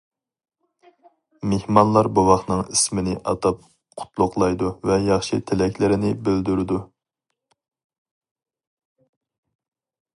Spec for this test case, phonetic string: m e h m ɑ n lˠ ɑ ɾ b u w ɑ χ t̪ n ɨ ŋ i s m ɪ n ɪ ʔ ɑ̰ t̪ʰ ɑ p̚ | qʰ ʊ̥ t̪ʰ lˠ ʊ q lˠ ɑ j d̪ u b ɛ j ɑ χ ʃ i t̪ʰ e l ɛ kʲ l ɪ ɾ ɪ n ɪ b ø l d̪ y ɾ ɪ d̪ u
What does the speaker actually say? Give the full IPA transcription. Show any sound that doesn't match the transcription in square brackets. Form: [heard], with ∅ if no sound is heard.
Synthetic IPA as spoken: m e h m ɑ n lˠ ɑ ɾ b u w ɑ χ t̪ n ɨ ŋ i s m ɪ n ɪ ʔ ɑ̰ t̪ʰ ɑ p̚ | qʰ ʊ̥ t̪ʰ lˠ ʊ q lˠ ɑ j d̪ u [v] ɛ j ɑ χ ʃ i t̪ʰ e l ɛ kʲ l ɪ ɾ ɪ n ɪ b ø l d̪ y ɾ ɪ d̪ u